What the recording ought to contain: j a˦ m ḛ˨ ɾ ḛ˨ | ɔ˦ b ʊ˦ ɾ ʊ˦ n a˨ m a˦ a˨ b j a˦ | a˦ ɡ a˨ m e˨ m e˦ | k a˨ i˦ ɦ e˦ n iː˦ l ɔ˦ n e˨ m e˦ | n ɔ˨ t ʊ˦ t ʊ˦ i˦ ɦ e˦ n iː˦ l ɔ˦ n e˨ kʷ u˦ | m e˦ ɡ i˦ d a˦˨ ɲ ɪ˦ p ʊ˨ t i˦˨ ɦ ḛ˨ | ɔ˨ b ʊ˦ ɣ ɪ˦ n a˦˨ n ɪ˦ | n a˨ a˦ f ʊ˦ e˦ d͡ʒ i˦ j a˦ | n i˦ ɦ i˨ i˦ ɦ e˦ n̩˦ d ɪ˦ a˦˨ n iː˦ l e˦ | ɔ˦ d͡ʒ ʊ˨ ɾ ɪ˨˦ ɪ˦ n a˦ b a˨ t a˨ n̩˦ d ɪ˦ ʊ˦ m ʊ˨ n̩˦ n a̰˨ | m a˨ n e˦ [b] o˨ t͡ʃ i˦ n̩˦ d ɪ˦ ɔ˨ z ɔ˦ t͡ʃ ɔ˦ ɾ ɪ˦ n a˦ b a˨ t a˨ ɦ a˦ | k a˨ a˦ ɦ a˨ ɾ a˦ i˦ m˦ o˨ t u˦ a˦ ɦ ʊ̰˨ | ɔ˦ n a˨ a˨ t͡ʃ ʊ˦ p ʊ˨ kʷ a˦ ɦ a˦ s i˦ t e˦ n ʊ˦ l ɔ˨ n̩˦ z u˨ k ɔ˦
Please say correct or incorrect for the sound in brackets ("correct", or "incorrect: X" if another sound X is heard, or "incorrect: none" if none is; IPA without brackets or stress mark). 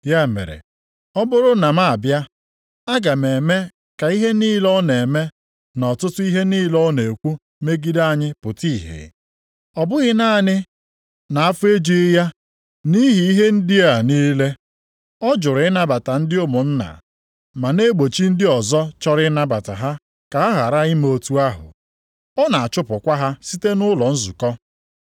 incorrect: ɡ͡b